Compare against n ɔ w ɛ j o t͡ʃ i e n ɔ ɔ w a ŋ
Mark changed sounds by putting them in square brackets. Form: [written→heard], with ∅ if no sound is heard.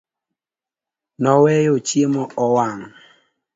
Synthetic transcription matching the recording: n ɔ w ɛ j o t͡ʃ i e [n→m] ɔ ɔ w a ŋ